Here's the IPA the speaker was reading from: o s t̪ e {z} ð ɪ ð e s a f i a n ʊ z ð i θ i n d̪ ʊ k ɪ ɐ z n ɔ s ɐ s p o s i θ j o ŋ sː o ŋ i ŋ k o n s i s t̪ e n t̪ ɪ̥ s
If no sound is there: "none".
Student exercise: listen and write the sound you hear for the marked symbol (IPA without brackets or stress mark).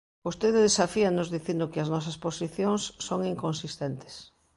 none